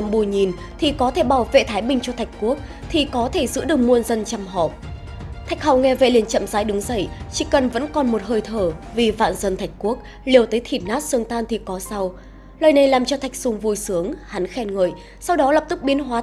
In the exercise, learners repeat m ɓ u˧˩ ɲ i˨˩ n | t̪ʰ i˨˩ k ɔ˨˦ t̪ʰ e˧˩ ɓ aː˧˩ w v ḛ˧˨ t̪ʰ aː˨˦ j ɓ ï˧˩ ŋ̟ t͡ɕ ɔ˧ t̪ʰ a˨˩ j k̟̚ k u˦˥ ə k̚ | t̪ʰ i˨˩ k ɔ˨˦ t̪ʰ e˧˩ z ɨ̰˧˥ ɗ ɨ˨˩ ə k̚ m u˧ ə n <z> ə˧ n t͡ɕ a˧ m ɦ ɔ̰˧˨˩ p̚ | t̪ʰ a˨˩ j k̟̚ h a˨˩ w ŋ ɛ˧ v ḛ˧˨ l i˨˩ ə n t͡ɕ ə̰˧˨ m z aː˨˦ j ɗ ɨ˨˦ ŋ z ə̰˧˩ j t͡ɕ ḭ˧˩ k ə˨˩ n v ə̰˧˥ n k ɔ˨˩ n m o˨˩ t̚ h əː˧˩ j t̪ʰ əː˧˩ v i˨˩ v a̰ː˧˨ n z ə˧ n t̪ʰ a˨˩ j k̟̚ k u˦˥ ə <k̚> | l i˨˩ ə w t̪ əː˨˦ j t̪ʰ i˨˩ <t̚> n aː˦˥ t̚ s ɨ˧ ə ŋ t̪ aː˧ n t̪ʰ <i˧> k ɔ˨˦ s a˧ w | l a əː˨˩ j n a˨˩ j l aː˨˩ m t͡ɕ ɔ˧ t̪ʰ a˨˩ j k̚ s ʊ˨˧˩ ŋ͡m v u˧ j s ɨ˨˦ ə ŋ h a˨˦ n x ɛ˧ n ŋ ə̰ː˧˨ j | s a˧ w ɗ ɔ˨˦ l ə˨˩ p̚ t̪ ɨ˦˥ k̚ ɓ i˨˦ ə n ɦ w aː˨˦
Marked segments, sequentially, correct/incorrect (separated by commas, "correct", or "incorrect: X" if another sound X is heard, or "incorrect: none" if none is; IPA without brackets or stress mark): correct, correct, correct, incorrect: i˨˩